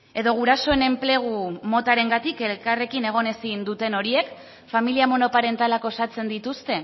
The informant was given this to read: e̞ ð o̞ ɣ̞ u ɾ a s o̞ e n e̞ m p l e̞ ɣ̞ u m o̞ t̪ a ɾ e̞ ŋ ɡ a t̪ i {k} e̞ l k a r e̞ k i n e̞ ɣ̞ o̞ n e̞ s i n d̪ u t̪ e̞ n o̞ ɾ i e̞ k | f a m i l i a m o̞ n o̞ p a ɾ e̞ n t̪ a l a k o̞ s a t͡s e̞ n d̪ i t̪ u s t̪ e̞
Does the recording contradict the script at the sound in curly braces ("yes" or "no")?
no